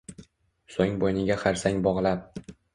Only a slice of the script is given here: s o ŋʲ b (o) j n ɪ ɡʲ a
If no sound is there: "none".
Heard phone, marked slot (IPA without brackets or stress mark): o